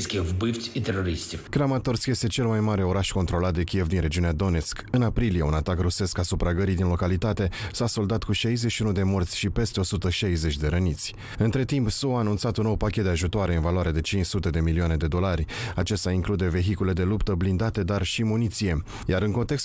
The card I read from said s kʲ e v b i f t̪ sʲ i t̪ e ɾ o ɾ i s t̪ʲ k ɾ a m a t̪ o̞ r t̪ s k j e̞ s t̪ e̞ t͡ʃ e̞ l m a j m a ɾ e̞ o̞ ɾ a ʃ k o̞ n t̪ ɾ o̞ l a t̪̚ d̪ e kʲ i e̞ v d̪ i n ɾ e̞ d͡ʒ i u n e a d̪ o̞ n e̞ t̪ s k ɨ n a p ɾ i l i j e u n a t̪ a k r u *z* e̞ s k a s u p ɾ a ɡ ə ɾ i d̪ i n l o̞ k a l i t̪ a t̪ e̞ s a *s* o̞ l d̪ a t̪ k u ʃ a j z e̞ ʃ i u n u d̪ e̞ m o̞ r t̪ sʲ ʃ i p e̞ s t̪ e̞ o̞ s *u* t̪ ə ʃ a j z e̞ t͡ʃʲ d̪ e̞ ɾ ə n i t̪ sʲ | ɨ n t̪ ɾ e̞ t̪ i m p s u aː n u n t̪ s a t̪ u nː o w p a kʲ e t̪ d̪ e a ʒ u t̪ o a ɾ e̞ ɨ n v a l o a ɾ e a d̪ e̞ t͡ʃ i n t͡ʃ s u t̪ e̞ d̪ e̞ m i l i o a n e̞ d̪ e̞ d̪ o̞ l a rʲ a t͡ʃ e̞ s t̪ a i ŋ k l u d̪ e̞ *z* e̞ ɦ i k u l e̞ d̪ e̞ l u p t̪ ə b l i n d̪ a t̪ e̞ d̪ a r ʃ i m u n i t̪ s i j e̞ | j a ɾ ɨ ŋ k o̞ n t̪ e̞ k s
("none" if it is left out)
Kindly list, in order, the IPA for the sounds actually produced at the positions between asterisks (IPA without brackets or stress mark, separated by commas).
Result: s, s, u, v